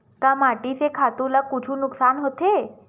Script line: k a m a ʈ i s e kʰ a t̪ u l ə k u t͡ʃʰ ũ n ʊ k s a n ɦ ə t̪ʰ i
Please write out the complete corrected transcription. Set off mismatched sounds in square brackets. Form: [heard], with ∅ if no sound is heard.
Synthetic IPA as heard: k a m a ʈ i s e kʰ a t̪ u l [a] k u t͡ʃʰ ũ n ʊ k s a n ɦ ə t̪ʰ [e]